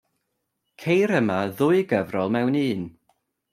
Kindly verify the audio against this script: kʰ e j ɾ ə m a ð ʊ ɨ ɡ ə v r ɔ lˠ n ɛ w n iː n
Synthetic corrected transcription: kʰ e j ɾ ə m a ð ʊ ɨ ɡ ə v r ɔ lˠ m ɛ w n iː n

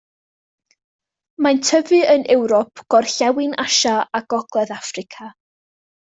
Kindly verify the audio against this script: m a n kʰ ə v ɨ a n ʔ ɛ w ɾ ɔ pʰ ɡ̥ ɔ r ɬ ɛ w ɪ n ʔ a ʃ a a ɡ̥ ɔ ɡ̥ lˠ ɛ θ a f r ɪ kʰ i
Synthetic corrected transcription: m a n tʰ ə v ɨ ə n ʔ ɛ w ɾ ɔ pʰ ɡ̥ ɔ r ɬ ɛ w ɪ n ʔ a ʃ a a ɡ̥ ɔ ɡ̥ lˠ ɛ ð a f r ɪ kʰ a

